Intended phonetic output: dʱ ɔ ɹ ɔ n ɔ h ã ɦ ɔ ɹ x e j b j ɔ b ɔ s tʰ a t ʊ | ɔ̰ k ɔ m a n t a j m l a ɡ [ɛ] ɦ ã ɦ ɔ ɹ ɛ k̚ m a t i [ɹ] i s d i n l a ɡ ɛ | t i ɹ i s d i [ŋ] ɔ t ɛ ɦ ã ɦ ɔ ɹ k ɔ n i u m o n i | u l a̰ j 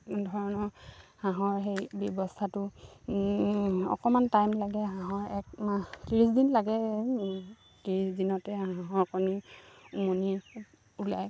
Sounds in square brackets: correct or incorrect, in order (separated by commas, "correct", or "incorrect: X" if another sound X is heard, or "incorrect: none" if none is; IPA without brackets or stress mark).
correct, correct, incorrect: n